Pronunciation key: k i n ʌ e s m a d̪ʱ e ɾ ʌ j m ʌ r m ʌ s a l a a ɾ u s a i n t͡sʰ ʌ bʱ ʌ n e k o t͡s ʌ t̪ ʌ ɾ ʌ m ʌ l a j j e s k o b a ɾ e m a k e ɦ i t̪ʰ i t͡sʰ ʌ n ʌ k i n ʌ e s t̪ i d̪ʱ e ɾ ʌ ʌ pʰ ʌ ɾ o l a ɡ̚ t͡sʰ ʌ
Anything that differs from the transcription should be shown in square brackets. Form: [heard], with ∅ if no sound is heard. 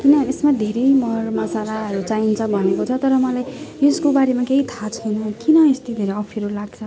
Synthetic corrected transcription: k i n ʌ e s m a d̪ʱ e ɾ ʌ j m ʌ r m ʌ s a l a [ʌ] ɾ u [t͡s] a i n t͡sʰ ʌ bʱ ʌ n e k o [t͡sʰ] ʌ t̪ ʌ ɾ ʌ m ʌ l a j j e s k o b a ɾ e m a k e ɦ i t̪ʰ [a] t͡sʰ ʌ n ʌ k i n ʌ e s t̪ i d̪ʱ e ɾ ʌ ʌ pʰ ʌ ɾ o l a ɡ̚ t͡sʰ ʌ